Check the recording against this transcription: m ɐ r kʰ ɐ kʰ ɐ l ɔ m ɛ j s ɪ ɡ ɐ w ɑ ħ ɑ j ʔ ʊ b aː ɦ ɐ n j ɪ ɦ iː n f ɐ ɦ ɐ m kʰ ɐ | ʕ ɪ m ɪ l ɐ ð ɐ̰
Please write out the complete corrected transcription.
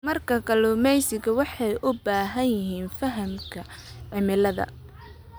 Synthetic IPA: m ɐ r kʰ ɐ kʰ ɐ l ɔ m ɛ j s ɪ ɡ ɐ w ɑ ħ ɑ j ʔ ʊ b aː ɦ ɐ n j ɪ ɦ iː n f ɐ ɦ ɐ m kʰ ɐ | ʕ ɪ m ɪ l ɐ ð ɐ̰